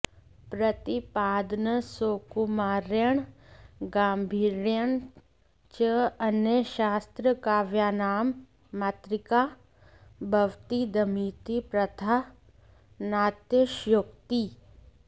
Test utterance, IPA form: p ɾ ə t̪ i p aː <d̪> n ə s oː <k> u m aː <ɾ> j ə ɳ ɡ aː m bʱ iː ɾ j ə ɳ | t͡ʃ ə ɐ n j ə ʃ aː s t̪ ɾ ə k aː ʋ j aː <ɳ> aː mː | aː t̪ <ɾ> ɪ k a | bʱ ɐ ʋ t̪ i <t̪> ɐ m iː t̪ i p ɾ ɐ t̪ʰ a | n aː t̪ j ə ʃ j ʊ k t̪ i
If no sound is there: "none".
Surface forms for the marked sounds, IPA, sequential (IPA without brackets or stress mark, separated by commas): d̪, k, ɾ, n, ɾ, d̪